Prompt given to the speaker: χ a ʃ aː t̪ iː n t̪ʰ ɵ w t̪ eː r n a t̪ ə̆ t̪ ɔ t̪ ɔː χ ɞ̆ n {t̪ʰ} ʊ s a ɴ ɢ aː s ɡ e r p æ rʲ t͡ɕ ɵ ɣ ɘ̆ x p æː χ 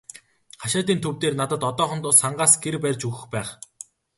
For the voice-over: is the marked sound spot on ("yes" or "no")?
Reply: no